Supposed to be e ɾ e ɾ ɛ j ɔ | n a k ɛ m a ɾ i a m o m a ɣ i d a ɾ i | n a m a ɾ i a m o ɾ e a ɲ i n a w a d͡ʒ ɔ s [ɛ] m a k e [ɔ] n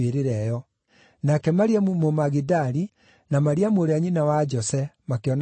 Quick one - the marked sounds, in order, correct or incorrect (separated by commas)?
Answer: correct, correct